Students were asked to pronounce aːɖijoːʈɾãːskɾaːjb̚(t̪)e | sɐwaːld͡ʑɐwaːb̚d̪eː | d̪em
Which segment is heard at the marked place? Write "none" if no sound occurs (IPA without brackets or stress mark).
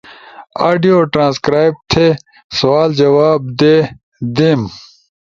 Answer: t̪ʰ